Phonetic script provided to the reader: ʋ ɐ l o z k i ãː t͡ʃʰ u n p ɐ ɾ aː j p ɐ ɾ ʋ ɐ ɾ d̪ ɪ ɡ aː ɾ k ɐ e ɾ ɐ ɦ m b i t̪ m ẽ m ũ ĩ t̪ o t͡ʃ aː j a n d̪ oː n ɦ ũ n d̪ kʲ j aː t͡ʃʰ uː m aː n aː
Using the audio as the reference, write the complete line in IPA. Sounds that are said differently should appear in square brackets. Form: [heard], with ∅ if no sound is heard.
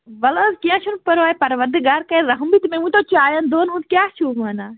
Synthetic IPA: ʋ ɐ l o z k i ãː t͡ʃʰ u n p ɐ ɾ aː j p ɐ ɾ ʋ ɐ ɾ d̪ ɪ ɡ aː ɾ k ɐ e ɾ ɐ ɦ m b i t̪ m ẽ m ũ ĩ t̪ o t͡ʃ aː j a n d̪ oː n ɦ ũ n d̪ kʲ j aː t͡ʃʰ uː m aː n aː